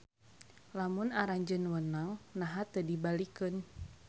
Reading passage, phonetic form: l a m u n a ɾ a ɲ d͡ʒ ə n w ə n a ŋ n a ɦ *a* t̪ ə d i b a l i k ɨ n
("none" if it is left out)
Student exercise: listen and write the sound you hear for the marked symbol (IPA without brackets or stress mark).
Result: a